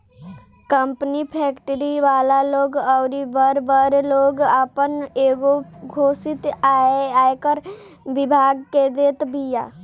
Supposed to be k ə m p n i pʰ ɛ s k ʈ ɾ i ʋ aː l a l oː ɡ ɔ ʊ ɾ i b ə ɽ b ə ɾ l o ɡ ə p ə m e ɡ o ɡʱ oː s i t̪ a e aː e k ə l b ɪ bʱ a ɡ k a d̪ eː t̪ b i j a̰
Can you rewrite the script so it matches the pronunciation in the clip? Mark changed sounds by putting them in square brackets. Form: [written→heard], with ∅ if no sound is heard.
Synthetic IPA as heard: k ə m p n i pʰ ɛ [s→∅] k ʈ ɾ i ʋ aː l a l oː ɡ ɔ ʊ ɾ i b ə [ɽ→ɾ] b ə ɾ l o ɡ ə p ə [m→n] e ɡ o ɡʱ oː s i t̪ a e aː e k ə [l→ɾ] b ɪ bʱ a ɡ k [a→e] d̪ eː t̪ b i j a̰